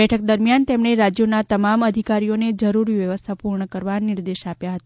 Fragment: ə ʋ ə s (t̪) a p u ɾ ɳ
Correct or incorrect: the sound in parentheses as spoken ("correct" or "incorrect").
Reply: incorrect